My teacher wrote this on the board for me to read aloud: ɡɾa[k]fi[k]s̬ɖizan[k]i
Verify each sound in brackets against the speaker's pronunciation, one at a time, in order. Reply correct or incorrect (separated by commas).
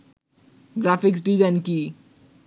incorrect, correct, correct